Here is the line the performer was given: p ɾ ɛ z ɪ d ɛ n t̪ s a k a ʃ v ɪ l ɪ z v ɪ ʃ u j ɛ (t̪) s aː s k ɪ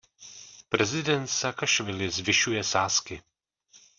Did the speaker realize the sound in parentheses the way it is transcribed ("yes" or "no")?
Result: no